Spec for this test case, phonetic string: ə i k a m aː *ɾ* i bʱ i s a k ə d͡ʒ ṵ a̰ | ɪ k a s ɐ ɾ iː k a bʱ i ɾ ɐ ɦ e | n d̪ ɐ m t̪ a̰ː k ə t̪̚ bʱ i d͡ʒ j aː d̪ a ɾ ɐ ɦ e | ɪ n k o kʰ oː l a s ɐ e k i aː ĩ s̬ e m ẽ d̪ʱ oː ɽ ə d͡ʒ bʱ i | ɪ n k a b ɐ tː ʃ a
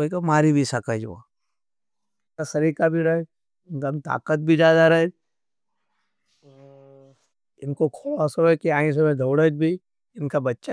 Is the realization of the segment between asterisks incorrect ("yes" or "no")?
no